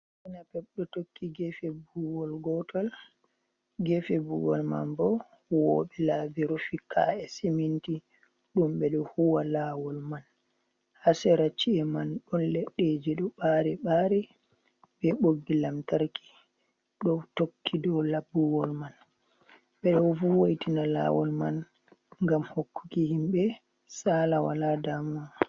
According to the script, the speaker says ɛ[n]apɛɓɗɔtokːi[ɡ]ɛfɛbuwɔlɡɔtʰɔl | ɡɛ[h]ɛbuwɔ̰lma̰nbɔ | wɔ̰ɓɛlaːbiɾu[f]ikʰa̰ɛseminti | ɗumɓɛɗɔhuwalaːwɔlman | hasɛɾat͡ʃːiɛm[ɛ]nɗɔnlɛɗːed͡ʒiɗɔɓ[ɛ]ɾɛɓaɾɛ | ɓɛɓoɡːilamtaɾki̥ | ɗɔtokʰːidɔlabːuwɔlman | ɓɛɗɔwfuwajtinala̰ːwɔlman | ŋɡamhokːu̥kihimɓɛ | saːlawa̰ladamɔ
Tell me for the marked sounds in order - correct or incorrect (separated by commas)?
correct, correct, incorrect, correct, incorrect, incorrect